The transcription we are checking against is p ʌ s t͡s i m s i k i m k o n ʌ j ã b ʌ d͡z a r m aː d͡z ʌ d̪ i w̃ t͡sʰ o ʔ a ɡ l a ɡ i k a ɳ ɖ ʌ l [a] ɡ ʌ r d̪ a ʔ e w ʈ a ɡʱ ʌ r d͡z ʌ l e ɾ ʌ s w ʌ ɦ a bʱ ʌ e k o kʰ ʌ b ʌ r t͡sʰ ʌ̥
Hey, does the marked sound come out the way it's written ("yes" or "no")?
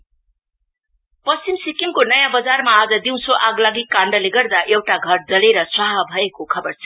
no